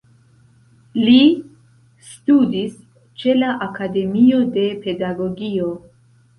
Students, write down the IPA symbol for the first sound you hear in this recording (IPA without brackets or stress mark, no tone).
l